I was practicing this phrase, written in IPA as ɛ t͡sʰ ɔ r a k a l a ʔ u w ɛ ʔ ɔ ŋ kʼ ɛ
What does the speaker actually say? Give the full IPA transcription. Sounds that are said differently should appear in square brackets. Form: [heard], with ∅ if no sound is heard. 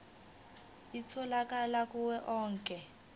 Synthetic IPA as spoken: [i] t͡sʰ ɔ [l] a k a l a [k] u w ɛ ʔ [ɔː] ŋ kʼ ɛ

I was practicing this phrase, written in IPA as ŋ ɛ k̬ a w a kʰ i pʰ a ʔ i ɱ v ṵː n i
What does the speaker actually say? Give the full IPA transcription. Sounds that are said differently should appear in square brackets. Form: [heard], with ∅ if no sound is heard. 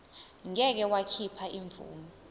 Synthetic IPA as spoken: ŋ ɛ k̬ [ɛ] w a kʰ i pʰ a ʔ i ɱ v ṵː [m] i

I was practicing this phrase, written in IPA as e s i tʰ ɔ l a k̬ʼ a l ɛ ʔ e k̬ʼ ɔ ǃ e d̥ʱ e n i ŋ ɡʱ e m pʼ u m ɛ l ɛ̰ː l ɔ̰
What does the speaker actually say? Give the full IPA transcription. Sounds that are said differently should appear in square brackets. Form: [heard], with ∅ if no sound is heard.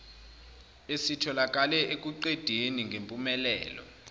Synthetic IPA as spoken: e s i tʰ ɔ l a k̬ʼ a l ɛ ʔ e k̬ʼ [u] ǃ e d̥ʱ e n i ŋ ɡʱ e m pʼ u m ɛ l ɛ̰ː l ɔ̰

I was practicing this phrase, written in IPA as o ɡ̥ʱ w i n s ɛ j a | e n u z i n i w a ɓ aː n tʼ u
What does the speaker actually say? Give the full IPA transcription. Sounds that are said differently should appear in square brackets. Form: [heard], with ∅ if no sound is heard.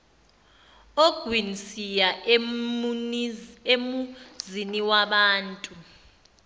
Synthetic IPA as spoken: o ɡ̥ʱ w i n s [i] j a | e [m] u z i n i w a ɓ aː n tʼ u

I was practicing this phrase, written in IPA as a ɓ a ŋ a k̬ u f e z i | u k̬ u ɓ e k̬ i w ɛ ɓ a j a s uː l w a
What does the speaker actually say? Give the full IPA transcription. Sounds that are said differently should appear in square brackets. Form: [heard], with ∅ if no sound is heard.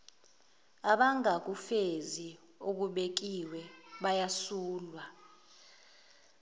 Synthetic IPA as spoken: a ɓ a ŋ a k̬ u f e z i | [o] k̬ u ɓ e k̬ i w ɛ ɓ a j a s uː l w a

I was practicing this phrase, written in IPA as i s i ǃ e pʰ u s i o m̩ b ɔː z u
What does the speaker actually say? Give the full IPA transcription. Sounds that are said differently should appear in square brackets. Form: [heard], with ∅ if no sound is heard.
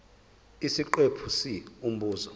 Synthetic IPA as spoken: i s i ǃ e pʰ u s i [u] m̩ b [uː] z [ɔ]

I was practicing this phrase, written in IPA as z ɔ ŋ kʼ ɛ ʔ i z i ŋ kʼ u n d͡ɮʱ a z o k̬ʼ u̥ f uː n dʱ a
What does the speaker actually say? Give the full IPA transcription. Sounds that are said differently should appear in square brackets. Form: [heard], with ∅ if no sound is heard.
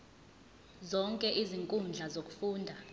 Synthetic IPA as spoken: z ɔ ŋ kʼ ɛ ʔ i z i ŋ kʼ u n d͡ɮʱ a z o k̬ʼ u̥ f uː n dʱ a

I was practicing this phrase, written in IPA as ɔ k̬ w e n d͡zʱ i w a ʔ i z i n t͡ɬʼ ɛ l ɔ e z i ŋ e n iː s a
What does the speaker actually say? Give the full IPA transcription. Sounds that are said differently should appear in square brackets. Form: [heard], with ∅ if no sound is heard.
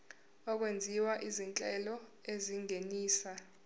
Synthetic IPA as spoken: ɔ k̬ w e n d͡zʱ i w a ʔ i z i n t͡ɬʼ ɛ l ɔ e z i ŋ e n iː s a

